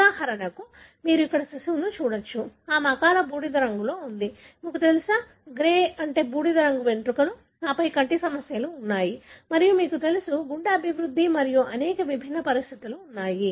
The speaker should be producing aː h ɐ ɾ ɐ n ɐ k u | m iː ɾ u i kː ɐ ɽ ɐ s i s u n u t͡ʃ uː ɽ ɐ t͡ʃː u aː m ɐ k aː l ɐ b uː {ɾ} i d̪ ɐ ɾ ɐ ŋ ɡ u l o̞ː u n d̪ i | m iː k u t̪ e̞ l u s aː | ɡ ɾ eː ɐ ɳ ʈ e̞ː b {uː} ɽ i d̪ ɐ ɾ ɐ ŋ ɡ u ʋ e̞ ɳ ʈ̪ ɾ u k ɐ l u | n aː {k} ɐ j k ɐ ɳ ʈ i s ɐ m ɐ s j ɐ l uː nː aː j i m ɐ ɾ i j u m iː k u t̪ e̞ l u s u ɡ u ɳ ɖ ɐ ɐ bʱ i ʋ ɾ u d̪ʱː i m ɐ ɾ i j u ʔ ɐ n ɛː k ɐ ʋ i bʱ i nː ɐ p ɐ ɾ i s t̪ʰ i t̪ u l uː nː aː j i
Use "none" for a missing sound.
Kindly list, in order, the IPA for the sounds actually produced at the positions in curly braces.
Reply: ɽ, uː, p

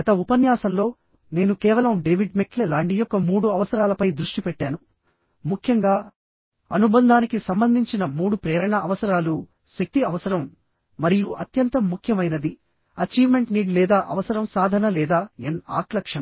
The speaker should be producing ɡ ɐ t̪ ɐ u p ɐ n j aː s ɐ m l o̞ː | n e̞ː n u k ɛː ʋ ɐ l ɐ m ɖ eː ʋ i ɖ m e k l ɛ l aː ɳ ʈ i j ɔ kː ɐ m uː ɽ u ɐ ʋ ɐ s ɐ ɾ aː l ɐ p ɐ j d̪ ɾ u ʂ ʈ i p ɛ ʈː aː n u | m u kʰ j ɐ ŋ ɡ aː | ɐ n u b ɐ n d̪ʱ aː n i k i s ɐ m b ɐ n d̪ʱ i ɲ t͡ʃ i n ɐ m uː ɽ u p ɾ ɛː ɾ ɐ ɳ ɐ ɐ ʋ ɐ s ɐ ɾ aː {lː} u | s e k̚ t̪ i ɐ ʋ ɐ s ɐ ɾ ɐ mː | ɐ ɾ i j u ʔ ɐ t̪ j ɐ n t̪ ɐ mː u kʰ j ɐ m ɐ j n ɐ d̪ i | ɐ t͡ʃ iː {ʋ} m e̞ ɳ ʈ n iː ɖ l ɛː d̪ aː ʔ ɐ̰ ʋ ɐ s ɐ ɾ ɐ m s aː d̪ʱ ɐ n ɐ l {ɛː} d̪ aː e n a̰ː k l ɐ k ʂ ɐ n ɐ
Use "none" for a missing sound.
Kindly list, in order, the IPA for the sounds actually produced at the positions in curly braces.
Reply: l, ʋ, ɛː

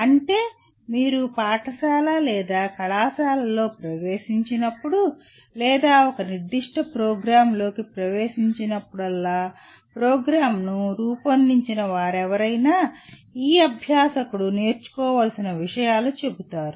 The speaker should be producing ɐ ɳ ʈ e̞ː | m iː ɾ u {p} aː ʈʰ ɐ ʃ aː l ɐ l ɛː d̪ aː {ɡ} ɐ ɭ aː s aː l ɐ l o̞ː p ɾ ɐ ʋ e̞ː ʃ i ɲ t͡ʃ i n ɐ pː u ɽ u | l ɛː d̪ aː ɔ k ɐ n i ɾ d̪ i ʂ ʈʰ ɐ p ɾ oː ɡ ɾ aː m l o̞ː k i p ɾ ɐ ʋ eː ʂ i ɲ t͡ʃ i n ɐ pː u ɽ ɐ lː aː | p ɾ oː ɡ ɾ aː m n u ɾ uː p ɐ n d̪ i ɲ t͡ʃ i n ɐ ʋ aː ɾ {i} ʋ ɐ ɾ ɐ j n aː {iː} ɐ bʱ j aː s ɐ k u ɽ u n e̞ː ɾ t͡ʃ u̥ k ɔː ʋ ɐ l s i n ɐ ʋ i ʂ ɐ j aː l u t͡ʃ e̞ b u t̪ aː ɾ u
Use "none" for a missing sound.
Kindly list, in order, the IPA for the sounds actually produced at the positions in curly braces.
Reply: p, k, ɛ, iː

